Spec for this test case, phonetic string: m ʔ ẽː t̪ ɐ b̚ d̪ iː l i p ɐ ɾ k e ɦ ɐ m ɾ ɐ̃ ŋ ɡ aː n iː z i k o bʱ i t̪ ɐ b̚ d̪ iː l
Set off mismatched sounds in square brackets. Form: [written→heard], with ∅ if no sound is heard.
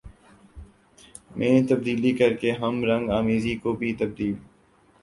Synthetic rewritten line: m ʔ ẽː t̪ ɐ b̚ d̪ iː l i [p→k] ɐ ɾ k e ɦ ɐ m ɾ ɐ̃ ŋ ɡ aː [n→m] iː z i k o bʱ i t̪ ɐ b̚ d̪ iː l